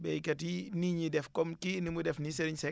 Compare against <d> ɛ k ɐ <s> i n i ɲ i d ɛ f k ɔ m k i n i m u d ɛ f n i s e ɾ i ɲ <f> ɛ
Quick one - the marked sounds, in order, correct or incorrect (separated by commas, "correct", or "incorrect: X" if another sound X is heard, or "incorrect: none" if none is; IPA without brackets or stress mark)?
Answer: incorrect: b, incorrect: t, incorrect: s